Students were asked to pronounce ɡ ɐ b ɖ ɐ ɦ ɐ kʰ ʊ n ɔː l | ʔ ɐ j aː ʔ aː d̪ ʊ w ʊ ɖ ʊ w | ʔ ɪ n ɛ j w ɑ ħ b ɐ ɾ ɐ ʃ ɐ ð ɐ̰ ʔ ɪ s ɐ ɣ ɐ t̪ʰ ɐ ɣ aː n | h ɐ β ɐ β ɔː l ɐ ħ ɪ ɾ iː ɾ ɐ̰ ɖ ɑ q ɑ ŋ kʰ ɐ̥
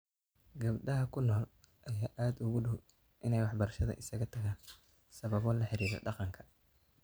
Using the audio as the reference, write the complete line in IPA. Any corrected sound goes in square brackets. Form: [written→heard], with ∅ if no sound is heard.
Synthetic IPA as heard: ɡ ɐ b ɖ ɐ ɦ ɐ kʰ ʊ n ɔː l | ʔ ɐ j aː ʔ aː d̪ ʊ [w→ɣ] ʊ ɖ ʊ w | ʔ ɪ n ɛ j w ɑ ħ b ɐ ɾ ɐ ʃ ɐ ð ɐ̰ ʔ ɪ s ɐ ɣ ɐ t̪ʰ ɐ ɣ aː n | [h→s] ɐ β ɐ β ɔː l ɐ ħ ɪ ɾ iː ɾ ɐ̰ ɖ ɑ q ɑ ŋ kʰ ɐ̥